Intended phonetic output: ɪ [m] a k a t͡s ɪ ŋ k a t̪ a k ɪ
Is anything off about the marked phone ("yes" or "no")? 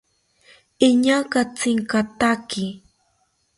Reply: yes